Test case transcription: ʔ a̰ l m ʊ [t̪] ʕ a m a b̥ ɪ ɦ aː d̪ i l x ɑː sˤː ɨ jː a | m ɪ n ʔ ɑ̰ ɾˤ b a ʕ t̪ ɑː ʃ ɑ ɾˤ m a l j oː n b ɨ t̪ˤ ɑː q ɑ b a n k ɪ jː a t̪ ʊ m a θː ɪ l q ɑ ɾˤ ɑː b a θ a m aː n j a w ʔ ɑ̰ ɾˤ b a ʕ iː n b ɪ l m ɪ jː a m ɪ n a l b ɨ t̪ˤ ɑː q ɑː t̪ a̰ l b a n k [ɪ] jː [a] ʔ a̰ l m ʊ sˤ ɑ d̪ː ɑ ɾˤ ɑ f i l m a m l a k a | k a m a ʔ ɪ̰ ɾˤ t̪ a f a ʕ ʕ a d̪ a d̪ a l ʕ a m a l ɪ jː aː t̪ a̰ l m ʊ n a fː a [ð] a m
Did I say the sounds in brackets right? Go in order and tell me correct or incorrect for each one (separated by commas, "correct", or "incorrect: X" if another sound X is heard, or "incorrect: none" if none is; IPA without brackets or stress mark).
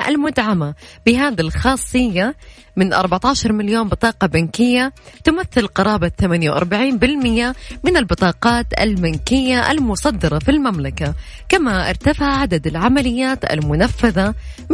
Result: incorrect: d̪, correct, correct, correct